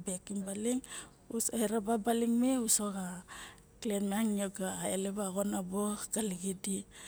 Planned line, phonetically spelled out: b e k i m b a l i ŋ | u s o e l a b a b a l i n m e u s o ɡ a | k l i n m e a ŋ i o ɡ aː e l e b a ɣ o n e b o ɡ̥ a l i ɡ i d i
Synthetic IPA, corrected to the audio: b e k i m b a l i ŋ | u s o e ɾ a b a b a l i ŋ m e u s o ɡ a | k l e n m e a ŋ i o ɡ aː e l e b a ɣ o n a b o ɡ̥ a l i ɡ i d i